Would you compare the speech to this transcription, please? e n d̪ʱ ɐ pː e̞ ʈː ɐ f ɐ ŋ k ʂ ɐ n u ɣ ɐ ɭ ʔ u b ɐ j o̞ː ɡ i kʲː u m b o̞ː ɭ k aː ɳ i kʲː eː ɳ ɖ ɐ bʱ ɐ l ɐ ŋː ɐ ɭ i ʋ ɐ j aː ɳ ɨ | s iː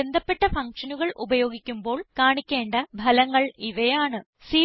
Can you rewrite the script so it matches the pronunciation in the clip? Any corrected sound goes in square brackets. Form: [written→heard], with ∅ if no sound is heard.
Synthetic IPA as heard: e n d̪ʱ ɐ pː e̞ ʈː ɐ f ɐ ŋ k ʂ ɐ n u ɣ ɐ ɭ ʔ u b ɐ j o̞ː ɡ i kʲː u m b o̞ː ɭ k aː ɳ i kʲː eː ɳ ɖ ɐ bʱ ɐ l ɐ ŋː ɐ ɭ i ʋ ɐ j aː ɳ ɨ | s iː